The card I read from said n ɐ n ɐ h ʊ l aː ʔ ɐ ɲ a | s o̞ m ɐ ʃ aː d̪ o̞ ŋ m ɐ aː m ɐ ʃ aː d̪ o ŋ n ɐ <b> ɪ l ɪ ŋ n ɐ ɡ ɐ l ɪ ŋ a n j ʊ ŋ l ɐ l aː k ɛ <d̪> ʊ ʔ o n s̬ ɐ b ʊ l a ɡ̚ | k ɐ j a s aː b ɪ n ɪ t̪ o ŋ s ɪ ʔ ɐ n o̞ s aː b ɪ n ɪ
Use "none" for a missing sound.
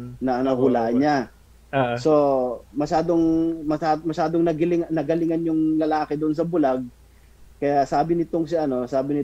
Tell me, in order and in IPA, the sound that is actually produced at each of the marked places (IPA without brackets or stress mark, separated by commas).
ɡ, d̪